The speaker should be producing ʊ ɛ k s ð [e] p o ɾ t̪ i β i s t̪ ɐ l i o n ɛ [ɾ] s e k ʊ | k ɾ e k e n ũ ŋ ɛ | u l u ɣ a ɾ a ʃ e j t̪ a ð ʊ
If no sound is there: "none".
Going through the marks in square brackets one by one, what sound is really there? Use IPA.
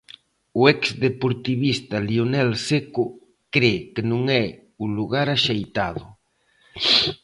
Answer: e, l

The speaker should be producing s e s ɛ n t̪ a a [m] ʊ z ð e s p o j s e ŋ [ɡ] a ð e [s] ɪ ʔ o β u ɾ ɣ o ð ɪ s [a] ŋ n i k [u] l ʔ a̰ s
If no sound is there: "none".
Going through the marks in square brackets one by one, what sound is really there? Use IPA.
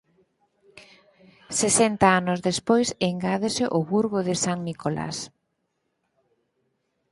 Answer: n, ɡ, s, a, o

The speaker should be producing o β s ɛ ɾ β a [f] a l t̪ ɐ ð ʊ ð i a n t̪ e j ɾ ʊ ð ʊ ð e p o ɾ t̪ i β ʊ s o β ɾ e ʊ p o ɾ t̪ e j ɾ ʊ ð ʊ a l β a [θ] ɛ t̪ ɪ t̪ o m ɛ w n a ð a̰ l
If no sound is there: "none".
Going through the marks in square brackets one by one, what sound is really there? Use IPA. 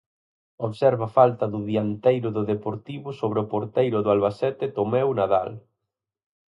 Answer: f, s

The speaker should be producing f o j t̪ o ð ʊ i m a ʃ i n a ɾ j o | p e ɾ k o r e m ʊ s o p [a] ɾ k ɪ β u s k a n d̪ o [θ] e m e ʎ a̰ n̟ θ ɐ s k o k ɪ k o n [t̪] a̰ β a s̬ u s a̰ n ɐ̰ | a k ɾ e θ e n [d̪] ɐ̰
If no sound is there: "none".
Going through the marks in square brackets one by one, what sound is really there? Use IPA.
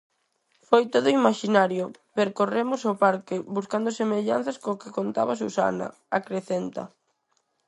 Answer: a, s, t̪, t̪

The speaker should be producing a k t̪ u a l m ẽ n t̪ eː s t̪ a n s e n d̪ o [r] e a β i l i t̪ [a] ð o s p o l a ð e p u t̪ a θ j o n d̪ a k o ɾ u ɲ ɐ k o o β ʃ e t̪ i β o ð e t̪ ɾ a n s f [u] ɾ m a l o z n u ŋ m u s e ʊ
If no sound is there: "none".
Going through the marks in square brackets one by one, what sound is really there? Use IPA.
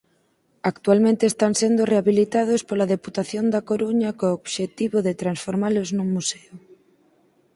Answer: r, a, o

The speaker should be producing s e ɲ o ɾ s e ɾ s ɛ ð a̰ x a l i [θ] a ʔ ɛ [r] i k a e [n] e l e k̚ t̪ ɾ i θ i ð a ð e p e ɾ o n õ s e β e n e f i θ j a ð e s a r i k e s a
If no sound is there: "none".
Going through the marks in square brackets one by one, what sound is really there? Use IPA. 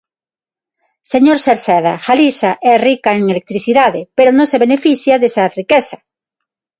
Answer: s, r, ŋ

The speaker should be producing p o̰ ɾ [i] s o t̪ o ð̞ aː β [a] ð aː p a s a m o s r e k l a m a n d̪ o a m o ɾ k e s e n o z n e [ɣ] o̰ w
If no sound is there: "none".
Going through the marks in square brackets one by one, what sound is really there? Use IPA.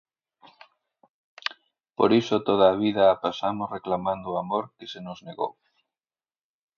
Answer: i, i, ɣ

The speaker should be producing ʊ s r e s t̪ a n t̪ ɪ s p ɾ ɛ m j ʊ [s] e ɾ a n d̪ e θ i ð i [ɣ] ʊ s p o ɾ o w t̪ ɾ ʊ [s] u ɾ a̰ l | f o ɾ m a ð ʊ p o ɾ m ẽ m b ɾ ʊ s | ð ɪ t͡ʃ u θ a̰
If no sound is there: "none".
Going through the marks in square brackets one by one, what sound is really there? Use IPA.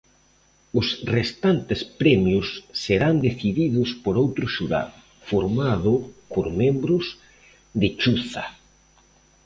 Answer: sː, ð, ʃ

